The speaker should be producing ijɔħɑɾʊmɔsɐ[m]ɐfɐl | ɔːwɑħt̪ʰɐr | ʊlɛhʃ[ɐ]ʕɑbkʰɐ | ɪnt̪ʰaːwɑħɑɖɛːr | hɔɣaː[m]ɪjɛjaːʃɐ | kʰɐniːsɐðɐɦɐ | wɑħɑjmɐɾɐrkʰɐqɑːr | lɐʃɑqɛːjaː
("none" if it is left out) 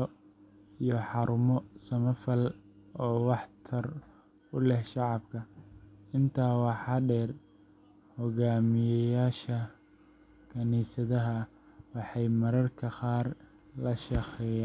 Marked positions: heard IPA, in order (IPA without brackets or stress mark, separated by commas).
m, ɑ, m